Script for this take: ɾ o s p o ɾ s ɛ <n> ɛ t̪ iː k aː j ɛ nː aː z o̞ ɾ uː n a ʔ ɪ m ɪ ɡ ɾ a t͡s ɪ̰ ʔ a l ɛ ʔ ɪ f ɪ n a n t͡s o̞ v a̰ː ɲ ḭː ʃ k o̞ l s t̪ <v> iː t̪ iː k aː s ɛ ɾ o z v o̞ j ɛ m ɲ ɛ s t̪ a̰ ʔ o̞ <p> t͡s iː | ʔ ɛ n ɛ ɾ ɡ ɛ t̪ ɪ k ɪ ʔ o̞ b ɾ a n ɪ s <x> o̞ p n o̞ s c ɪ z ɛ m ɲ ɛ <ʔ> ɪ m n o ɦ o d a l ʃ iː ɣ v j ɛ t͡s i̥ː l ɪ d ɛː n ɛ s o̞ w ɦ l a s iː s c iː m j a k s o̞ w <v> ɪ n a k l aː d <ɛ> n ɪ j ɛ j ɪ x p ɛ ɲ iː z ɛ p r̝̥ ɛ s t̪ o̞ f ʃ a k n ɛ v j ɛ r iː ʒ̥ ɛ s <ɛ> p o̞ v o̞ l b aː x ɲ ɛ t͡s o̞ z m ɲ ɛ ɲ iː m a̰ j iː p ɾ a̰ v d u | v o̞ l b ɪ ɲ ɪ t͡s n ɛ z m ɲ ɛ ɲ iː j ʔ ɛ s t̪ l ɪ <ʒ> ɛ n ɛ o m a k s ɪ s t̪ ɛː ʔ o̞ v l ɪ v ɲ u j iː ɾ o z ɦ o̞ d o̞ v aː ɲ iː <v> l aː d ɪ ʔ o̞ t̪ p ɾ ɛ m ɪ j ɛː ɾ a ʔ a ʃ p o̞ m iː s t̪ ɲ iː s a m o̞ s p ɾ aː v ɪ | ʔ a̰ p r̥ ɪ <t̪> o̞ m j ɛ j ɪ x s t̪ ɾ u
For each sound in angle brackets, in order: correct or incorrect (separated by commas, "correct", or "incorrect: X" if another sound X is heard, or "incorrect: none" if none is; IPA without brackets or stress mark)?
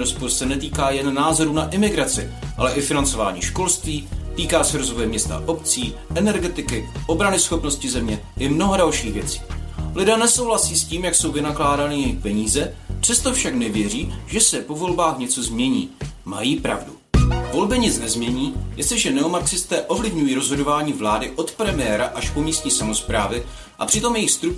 correct, correct, correct, correct, correct, correct, incorrect: a, correct, correct, correct, correct